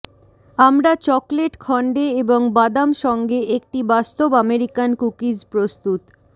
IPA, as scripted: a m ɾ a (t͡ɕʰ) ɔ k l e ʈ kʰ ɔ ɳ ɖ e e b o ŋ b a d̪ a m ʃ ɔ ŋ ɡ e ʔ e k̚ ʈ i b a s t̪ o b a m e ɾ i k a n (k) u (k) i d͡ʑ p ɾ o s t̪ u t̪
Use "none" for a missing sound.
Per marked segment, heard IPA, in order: t͡ɕ, k, k

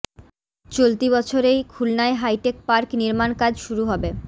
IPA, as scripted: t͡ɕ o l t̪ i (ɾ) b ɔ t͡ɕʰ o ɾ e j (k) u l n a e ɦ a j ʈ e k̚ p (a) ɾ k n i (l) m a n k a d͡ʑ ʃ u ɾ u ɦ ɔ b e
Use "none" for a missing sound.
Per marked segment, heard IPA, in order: none, kʰ, a, ɾ

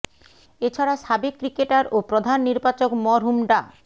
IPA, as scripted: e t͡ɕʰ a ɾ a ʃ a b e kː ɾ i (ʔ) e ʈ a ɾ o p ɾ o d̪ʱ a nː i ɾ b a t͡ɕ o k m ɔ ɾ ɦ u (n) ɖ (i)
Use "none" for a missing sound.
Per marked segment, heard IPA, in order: k, m, a

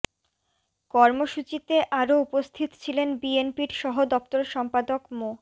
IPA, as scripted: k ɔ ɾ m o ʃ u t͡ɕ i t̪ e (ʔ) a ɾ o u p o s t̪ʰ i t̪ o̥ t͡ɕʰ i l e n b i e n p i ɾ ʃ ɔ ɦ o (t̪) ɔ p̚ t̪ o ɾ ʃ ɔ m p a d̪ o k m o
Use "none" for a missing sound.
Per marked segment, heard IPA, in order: ʔ, d̪

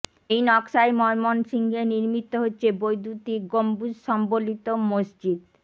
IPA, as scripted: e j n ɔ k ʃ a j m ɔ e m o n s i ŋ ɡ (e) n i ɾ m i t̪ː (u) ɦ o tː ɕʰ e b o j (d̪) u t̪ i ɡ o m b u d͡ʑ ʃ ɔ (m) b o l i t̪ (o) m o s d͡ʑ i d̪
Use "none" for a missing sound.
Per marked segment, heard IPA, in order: e, o, d̪, m, o

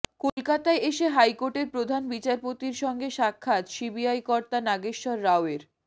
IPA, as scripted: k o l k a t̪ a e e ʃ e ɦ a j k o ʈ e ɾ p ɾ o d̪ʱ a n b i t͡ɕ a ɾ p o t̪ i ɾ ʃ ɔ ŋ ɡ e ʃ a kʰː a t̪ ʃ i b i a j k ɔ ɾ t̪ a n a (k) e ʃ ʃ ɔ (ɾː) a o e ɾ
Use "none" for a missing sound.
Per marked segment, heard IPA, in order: ɡ, ɾː

